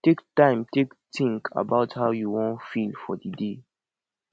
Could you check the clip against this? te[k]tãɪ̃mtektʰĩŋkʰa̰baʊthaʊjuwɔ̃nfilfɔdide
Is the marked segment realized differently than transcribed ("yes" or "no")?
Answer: no